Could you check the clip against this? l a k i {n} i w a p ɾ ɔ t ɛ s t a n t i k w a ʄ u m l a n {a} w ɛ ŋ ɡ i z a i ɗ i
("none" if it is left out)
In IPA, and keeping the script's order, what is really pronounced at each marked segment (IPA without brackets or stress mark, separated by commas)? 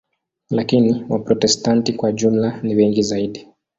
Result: n, i